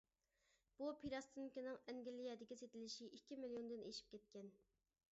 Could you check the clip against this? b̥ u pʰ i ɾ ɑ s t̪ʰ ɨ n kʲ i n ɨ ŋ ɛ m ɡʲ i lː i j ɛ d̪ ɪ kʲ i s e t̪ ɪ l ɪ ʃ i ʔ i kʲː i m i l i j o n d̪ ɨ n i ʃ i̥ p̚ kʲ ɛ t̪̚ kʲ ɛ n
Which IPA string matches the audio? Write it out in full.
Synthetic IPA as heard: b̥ u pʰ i ɾ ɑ s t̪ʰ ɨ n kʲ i n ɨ ŋ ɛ ŋ ɡʲ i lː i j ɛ d̪ ɪ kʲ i s e t̪ ɪ l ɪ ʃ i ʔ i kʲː i m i l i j o n d̪ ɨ n e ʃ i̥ p̚ kʲ ɛ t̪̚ kʲ ɛ n

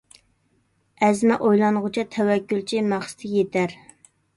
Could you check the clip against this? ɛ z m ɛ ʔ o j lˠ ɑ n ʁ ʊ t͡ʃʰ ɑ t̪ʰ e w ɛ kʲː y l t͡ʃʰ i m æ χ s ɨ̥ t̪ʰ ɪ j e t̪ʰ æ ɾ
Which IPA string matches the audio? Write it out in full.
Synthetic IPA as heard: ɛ z m ɛ ʔ o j lˠ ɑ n ʁ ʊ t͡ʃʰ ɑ t̪ʰ ɛ w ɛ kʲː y l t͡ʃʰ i m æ χ s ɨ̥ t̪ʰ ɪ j e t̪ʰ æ ɾ

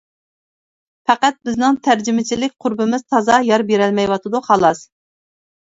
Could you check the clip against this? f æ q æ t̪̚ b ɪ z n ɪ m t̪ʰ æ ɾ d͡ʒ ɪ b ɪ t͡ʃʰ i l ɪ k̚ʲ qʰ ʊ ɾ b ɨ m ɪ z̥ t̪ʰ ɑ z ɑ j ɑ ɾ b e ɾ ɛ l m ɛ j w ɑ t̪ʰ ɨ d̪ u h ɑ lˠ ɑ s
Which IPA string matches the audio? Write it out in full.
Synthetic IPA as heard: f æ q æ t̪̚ b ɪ z n ɪ ŋ t̪ʰ æ ɾ d͡ʒ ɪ m ɪ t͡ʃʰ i l ɪ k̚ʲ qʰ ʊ ɾ b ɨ m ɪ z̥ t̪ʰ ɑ z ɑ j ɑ ɾ b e ɾ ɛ l m ɛ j w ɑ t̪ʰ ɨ d̪ u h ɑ lˠ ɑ s

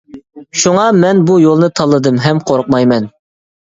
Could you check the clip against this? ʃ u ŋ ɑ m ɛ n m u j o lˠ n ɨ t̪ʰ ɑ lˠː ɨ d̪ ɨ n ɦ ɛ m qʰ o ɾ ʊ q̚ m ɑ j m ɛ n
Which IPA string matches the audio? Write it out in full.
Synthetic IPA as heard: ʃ u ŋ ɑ m ɛ n b u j o lˠ n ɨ t̪ʰ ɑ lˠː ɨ d̪ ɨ m ɦ ɛ m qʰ o ɾ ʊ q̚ m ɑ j m ɛ n

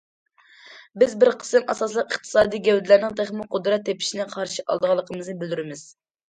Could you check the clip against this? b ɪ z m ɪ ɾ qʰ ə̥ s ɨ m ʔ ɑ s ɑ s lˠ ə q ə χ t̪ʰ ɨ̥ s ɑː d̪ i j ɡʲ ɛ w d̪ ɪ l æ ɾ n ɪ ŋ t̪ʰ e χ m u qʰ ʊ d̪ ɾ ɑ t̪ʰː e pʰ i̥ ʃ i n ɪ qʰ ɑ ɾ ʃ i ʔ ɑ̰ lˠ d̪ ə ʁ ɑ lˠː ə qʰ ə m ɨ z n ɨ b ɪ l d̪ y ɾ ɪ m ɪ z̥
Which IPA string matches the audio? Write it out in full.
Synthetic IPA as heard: b ɪ z b ɪ ɾ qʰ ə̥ s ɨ m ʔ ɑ s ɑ s lˠ ə q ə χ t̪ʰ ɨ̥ s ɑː d̪ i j ɡʲ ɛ w d̪ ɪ l æ ɾ n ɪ ŋ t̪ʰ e χ m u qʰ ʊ d̪ ɾ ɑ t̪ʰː e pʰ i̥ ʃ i n ɪ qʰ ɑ ɾ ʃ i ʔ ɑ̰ lˠ d̪ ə ʁ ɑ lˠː ə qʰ ə m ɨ z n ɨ b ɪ l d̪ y ɾ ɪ m ɪ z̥

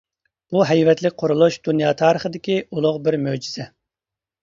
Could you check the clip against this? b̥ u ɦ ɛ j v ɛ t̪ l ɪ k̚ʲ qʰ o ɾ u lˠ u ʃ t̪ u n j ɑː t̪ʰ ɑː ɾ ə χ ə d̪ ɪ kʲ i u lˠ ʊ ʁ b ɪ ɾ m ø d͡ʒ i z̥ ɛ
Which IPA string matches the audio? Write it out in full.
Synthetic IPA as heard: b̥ u ɦ ɛ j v ɛ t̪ l ɪ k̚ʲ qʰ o ɾ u lˠ u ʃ d̪ u n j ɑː t̪ʰ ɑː ɾ ə χ ə d̪ ɪ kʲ i u lˠ ʊ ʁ b ɪ ɾ m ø d͡ʒ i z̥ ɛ

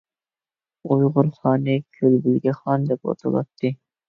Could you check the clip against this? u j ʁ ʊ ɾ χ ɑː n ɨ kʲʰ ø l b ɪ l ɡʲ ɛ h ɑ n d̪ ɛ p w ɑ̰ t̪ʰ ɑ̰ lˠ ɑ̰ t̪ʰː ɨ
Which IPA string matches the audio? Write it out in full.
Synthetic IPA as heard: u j ʁ ʊ ɾ χ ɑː n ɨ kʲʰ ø l b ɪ l ɡʲ ɛ χ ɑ n d̪ ɛ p w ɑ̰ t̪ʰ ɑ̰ lˠ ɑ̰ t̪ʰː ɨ

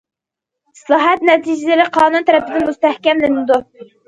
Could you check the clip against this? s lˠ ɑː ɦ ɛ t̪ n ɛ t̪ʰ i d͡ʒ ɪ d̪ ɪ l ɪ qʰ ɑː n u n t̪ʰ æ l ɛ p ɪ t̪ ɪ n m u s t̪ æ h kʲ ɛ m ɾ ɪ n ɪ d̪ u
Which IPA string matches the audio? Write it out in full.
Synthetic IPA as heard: s lˠ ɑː ɦ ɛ t̪ n ɛ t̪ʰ i d͡ʒ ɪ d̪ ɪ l ɪ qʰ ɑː n u n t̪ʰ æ ɾ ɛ p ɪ d̪ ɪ n m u s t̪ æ h kʲ ɛ m l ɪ n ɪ d̪ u

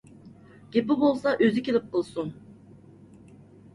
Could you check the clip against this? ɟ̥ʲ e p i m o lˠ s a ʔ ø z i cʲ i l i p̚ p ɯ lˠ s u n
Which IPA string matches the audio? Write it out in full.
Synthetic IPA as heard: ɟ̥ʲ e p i b o lˠ s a ʔ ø z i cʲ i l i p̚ q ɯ lˠ s u n

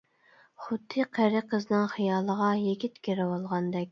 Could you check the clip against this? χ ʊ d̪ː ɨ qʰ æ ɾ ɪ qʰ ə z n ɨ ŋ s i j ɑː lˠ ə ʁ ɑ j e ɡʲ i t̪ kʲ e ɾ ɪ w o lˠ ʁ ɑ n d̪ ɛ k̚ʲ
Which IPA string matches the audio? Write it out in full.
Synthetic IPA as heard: χ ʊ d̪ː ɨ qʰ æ ɾ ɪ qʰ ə z n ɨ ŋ χ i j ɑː lˠ ə ʁ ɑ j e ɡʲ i t̪ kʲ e ɾ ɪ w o lˠ ʁ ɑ n d̪ ɛ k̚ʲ

